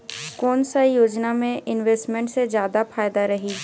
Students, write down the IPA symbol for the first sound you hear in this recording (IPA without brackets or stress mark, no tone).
k